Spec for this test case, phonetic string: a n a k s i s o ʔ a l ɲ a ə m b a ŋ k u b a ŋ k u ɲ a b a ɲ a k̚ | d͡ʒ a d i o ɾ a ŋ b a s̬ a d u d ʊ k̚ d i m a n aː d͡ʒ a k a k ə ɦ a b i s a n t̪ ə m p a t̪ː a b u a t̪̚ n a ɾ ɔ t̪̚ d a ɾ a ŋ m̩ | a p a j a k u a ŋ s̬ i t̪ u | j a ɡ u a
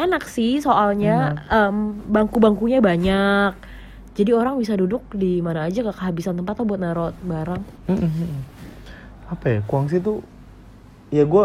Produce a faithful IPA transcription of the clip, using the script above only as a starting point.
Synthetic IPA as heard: a n a k s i s o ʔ a l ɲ a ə m b a ŋ k u b a ŋ k u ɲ a b a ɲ a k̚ | d͡ʒ a d i o ɾ a ŋ b i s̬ a d u d ʊ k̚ d i m a n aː d͡ʒ a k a k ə ɦ a b i s a n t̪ ə m p a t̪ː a b u a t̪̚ n a ɾ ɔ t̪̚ b a ɾ a ŋ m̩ | a p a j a k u a ŋ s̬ i t̪ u | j a ɡ u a